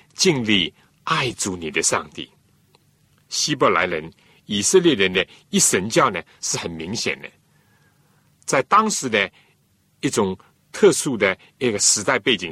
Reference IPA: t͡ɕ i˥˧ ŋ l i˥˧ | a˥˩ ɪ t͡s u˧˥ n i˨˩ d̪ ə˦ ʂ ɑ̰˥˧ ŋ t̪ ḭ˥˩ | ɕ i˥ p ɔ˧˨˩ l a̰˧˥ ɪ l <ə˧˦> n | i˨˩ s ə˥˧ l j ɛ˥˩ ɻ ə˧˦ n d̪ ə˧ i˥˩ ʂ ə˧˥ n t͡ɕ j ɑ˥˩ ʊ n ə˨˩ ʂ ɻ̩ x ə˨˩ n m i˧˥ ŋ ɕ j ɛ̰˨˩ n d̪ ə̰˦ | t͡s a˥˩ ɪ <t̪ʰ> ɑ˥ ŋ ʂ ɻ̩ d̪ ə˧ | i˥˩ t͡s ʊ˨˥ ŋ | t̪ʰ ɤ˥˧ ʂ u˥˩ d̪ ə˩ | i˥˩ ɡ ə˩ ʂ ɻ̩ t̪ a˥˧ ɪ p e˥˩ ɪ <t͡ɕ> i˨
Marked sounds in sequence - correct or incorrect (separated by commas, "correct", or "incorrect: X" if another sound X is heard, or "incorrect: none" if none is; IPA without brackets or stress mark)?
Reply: correct, incorrect: t̪, correct